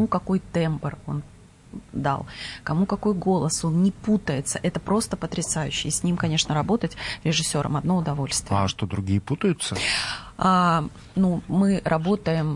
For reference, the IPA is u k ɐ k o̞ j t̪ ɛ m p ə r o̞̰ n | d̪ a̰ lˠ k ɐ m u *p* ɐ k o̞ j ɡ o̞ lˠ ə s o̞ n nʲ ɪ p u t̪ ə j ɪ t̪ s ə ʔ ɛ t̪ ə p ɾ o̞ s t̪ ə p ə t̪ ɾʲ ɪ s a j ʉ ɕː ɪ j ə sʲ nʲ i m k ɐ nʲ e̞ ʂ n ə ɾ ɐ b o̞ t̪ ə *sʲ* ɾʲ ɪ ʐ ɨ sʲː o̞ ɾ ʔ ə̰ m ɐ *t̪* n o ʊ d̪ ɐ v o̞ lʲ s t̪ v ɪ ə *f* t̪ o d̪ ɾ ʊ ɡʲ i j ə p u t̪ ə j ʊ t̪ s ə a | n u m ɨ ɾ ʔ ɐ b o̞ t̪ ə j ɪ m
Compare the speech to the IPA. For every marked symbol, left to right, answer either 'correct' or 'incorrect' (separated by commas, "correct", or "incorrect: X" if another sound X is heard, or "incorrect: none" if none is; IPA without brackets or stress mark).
incorrect: k, incorrect: tʲ, incorrect: d̪, incorrect: ʂ